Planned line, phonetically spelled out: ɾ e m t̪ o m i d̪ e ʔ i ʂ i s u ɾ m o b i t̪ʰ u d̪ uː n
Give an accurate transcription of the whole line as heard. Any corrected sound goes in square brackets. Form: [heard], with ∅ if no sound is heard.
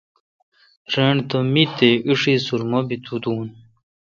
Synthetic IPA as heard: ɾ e [ɳ] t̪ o m i [t̪] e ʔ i ʂ i s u ɾ m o b i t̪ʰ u d̪ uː n